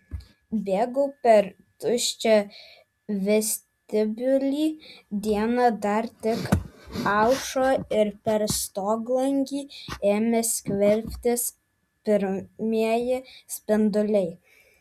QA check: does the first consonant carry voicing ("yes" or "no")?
yes